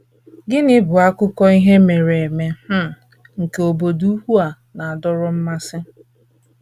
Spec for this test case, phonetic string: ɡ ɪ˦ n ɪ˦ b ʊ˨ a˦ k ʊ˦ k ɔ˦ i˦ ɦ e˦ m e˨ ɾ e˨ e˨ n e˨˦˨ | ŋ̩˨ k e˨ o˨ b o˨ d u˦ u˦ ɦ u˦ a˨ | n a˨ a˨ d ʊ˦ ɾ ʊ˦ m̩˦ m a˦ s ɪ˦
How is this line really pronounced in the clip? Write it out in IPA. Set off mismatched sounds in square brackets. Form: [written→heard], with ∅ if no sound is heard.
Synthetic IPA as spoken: ɡ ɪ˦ n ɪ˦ b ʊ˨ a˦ k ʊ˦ k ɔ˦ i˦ ɦ e˦ m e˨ ɾ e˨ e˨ [n→m] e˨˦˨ | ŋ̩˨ k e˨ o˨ b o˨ d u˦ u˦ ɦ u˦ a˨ | n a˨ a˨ d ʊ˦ ɾ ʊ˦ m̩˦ m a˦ s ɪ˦